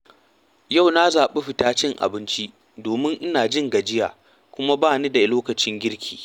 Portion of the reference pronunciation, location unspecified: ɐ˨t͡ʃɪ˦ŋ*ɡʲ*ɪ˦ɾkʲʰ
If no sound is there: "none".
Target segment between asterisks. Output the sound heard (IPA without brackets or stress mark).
ɡʲ